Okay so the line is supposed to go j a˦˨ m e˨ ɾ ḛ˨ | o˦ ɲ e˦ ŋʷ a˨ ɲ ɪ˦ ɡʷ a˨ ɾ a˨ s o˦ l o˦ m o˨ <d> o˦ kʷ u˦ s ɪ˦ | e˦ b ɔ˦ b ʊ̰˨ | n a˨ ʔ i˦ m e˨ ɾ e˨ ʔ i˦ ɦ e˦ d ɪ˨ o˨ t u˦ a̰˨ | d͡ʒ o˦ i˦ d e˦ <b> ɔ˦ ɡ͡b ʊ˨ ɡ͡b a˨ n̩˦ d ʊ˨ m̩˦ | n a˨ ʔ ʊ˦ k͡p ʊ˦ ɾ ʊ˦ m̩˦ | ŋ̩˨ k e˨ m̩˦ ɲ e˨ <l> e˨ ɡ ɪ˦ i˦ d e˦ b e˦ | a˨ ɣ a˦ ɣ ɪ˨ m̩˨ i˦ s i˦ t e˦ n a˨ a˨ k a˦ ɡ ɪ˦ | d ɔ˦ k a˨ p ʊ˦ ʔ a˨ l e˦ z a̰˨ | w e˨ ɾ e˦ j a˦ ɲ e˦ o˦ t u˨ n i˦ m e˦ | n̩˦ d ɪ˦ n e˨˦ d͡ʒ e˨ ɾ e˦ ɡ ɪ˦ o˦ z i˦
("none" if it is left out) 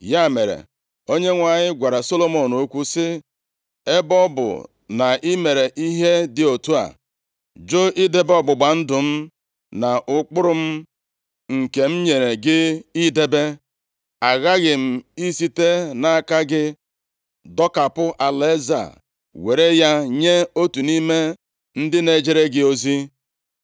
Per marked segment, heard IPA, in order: n, b, ɾ

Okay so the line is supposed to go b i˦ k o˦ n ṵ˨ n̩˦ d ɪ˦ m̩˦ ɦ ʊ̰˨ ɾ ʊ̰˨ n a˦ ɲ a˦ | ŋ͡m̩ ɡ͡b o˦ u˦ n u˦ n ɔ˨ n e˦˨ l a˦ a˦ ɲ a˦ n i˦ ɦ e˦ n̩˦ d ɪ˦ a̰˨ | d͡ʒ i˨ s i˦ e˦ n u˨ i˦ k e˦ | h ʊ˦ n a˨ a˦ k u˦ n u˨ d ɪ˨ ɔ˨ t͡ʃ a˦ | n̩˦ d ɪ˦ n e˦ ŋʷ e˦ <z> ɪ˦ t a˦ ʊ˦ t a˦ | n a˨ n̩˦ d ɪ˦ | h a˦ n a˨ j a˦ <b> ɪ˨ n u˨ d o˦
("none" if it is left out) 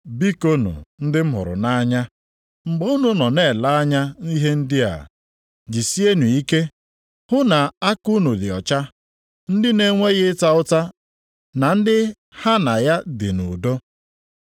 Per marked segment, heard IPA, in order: ɣ, d

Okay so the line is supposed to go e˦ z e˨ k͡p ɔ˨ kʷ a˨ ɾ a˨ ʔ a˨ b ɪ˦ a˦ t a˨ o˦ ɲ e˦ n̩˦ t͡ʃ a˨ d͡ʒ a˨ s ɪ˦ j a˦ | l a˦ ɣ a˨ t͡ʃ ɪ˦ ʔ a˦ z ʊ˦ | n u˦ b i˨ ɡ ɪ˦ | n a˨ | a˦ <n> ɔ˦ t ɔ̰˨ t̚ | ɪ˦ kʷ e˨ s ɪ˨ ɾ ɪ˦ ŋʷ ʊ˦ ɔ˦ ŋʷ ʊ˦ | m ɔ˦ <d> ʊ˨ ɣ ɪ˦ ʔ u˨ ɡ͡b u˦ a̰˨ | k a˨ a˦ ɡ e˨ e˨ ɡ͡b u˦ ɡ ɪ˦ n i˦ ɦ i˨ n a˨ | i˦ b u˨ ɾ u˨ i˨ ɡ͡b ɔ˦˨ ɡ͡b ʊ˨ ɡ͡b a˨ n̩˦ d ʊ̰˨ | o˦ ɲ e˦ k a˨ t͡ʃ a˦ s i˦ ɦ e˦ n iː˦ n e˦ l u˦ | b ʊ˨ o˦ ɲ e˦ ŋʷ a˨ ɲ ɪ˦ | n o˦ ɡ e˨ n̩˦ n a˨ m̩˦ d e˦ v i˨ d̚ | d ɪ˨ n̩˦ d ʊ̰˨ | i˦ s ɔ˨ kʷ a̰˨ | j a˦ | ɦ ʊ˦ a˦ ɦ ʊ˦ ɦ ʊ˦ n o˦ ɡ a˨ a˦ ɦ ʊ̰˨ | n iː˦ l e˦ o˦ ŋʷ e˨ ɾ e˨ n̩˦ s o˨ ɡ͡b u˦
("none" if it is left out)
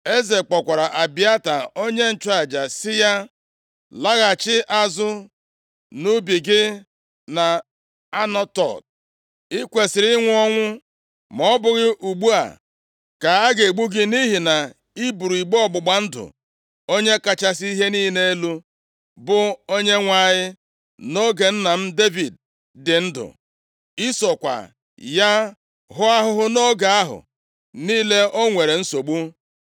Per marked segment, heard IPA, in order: n, b

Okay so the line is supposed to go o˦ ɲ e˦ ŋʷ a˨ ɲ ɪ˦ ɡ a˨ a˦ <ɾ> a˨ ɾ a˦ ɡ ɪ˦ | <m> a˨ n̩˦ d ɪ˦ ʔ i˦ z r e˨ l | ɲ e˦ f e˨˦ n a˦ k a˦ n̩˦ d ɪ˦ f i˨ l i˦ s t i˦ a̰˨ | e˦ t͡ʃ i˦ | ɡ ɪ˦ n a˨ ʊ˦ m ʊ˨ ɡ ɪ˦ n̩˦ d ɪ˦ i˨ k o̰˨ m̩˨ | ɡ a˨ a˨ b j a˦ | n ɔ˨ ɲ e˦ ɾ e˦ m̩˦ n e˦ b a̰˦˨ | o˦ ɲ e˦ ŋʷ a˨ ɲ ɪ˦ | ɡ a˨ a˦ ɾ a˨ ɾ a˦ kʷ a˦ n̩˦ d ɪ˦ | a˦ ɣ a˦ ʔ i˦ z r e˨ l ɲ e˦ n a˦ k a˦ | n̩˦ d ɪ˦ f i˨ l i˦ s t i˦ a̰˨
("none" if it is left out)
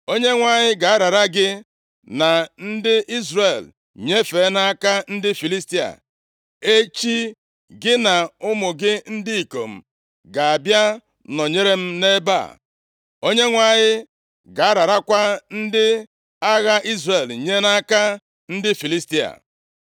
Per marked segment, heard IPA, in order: ɾ, n

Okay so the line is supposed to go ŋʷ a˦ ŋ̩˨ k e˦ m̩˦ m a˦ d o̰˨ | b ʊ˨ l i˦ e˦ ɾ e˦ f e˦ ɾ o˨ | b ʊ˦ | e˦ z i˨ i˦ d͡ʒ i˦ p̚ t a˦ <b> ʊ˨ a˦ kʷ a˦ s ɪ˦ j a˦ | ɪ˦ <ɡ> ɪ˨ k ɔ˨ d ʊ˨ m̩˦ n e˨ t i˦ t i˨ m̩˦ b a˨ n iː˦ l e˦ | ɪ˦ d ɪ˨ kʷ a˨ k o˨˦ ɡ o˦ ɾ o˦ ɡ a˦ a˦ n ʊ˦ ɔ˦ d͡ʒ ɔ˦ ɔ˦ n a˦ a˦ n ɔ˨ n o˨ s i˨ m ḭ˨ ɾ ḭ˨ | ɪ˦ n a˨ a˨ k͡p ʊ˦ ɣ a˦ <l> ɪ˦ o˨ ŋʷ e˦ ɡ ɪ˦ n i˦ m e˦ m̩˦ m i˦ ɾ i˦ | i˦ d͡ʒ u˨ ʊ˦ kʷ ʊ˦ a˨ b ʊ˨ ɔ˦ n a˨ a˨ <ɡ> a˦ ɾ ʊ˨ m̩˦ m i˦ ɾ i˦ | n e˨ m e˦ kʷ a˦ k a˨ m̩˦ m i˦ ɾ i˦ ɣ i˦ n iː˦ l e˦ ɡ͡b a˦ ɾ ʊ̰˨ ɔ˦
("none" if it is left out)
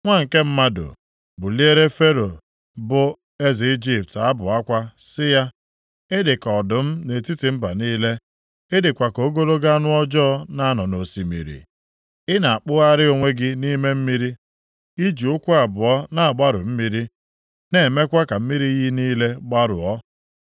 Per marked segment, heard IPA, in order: b, d, ɾ, ɡ͡b

